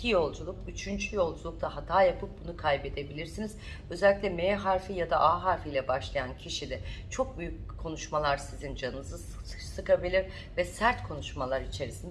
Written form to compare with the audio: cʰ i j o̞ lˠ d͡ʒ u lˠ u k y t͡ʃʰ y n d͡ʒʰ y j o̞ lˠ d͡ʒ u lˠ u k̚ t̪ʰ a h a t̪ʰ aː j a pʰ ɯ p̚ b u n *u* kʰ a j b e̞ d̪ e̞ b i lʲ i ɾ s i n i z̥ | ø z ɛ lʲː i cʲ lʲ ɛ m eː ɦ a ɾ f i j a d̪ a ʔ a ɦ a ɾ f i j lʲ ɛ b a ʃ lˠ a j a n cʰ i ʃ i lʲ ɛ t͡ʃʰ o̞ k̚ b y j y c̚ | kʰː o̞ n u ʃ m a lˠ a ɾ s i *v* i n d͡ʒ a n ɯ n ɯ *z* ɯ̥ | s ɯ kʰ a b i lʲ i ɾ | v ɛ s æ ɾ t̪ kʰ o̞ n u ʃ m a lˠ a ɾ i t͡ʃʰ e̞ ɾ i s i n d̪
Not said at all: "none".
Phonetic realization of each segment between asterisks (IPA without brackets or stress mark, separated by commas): u, z, z